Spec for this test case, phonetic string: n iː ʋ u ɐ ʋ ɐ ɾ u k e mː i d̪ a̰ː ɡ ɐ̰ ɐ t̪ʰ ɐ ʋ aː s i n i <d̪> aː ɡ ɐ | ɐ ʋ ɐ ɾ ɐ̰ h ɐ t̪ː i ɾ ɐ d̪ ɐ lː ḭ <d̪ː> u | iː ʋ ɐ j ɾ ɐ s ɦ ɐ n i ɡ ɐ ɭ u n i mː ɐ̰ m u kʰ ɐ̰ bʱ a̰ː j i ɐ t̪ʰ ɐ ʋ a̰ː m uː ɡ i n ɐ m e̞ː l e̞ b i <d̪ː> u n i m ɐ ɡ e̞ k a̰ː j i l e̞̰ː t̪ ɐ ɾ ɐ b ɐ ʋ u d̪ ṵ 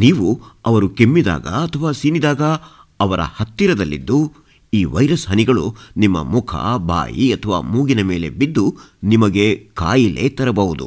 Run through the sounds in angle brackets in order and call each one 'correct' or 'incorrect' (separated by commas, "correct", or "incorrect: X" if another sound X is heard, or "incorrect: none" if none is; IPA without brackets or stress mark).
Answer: correct, correct, correct